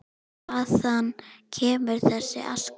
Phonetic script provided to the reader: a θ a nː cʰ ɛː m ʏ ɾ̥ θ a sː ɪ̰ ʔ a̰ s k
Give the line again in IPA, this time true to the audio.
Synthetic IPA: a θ a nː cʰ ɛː m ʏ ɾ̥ θ ɛ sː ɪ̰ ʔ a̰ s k